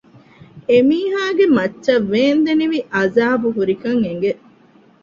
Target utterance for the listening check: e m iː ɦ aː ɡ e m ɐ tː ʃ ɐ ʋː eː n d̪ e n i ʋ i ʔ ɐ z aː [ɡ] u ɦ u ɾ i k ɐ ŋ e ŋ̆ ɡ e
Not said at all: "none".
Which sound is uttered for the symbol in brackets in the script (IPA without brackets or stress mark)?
b